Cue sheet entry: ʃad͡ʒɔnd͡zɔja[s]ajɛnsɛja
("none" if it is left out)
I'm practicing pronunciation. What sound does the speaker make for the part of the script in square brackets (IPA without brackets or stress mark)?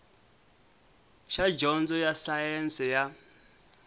s